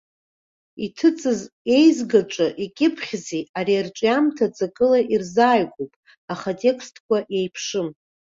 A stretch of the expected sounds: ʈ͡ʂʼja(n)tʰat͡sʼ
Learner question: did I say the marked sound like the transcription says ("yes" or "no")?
no